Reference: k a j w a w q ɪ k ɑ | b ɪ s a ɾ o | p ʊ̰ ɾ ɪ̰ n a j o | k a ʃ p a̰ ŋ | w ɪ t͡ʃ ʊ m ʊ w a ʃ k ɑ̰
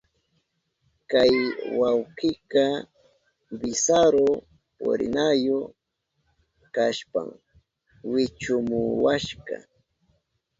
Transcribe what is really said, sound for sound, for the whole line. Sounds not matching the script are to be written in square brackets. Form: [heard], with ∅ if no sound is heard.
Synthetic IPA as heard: k a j w a w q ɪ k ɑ | b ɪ s a ɾ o | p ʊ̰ ɾ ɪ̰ n a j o | k a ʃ p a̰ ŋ | w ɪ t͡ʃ ʊ m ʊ w a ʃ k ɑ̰